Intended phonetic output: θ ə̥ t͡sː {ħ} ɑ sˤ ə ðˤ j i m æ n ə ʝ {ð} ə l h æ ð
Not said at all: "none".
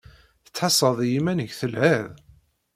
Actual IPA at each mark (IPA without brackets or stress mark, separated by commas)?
ħ, θ